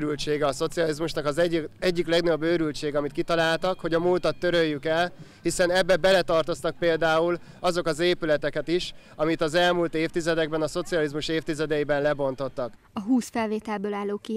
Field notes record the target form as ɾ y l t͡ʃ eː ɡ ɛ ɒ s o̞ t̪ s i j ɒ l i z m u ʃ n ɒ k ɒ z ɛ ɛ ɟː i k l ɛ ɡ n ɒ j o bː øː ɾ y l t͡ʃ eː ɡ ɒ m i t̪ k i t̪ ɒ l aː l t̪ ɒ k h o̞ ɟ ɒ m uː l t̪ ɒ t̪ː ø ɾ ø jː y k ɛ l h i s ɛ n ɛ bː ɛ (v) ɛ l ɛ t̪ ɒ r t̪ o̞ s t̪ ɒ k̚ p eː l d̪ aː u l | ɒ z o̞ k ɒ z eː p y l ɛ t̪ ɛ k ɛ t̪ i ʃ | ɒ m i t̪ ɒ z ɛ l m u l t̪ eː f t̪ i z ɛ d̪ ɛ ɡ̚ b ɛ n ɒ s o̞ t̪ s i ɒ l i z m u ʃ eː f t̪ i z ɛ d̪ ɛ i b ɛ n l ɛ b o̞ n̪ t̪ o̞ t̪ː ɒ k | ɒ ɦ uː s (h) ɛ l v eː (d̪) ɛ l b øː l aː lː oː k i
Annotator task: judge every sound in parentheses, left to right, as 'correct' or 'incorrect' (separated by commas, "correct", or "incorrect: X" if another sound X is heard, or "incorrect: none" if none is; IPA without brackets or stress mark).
incorrect: b, incorrect: f, incorrect: t̪